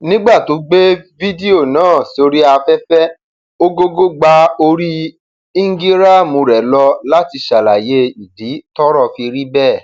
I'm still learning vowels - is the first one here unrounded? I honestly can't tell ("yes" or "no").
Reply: yes